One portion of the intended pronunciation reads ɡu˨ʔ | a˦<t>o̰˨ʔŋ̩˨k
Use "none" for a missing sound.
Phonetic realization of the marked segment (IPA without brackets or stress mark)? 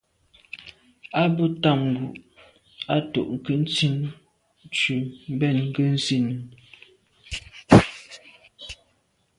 t